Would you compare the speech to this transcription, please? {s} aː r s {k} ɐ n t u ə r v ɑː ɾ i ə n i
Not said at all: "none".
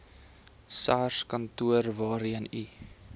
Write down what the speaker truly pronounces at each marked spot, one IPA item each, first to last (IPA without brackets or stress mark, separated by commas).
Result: s, k